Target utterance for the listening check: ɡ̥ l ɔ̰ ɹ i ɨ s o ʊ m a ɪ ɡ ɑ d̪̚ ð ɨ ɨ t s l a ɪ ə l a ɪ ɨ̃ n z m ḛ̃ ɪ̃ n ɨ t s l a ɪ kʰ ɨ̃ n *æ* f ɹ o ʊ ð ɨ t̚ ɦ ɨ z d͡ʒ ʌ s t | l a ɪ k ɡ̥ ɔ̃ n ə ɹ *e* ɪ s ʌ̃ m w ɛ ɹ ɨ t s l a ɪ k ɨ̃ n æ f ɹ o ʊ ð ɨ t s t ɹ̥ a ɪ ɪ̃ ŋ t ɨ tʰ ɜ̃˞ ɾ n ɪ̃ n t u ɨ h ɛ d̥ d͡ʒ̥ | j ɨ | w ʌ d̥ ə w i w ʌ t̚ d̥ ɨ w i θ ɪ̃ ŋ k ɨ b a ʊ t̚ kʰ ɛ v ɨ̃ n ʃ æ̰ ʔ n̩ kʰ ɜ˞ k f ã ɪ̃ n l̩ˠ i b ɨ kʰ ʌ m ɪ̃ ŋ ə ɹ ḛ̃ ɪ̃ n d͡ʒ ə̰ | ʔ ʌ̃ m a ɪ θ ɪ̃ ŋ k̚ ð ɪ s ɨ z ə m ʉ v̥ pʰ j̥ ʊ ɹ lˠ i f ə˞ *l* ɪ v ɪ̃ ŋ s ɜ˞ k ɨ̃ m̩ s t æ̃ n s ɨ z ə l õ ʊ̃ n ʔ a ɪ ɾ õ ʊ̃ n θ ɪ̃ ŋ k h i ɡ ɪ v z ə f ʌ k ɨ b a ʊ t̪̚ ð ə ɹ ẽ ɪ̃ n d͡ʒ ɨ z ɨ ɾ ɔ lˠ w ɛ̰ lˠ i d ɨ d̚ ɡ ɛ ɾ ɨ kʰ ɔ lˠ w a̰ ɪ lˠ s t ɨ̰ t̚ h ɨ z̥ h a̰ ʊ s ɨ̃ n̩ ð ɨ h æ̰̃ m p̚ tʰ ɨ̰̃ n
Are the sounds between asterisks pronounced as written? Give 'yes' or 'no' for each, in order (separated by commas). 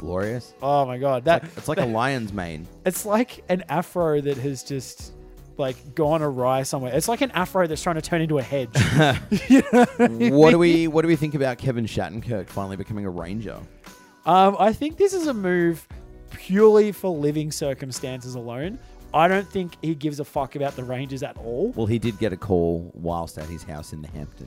yes, no, yes